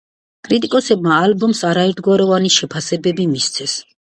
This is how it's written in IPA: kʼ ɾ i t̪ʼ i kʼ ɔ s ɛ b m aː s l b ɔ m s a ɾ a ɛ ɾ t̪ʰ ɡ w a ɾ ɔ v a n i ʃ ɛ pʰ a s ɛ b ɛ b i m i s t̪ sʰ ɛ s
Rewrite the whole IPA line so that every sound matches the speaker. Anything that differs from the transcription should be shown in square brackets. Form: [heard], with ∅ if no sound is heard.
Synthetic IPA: kʼ ɾ i t̪ʼ i kʼ ɔ s ɛ b m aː [∅] l b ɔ m s a ɾ a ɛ ɾ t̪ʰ ɡ w a ɾ ɔ v a n i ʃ ɛ pʰ a s ɛ b ɛ b i m i s t̪ sʰ ɛ s